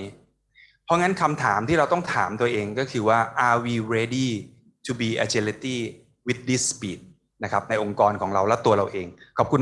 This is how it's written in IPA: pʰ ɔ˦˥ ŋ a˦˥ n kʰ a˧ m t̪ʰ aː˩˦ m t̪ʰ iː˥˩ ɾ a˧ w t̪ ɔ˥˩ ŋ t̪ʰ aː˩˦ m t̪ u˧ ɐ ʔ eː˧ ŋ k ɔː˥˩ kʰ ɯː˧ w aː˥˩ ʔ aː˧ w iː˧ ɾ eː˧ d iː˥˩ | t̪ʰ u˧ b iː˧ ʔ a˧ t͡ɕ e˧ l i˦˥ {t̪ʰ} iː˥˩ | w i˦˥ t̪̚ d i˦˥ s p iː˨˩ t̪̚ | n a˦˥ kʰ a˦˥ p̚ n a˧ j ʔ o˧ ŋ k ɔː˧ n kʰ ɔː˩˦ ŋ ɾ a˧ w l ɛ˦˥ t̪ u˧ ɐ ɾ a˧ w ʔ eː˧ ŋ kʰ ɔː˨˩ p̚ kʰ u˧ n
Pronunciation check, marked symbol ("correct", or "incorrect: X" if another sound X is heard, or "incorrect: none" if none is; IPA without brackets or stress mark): incorrect: t̪